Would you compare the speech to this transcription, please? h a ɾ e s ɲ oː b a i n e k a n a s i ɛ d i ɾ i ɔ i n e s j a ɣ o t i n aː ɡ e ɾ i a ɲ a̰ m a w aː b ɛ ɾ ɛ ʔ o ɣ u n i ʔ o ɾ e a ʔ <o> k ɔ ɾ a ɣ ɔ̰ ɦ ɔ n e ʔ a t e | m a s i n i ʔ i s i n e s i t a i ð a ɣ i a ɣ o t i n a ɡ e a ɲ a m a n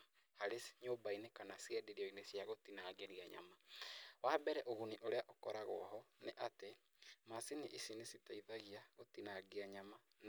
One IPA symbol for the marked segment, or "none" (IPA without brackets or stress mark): o